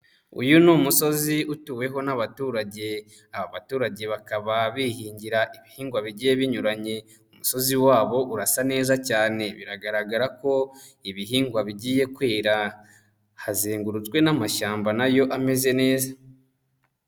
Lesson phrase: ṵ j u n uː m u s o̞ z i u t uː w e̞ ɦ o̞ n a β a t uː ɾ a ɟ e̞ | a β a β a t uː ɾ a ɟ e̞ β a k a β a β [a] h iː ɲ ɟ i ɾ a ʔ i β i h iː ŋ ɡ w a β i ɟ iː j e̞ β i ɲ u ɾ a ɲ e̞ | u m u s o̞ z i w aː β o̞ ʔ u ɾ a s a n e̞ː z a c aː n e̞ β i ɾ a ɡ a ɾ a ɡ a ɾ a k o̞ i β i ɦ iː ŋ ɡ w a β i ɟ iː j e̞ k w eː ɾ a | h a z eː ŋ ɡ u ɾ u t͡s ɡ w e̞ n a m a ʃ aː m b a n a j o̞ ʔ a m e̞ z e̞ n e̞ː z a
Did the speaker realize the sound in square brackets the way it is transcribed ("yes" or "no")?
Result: no